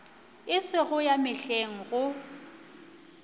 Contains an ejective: no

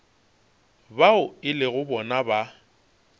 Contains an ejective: no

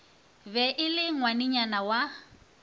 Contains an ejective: no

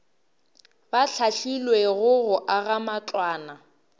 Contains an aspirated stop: no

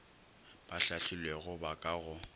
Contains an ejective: yes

